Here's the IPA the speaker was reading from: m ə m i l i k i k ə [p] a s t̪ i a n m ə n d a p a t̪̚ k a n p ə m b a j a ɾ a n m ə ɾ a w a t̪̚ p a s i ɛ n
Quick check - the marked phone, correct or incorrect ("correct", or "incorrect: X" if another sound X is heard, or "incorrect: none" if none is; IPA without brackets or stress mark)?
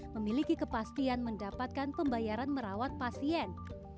correct